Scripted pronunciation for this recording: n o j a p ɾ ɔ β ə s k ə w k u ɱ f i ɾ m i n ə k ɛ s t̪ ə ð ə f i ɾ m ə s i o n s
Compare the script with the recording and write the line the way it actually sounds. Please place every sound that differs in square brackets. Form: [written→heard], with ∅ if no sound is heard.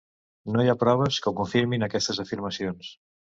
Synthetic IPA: n o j a p ɾ ɔ β ə s k ə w k u ɱ f i ɾ m i n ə k ɛ s t̪ ə [ð→z] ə f i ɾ m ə s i o n s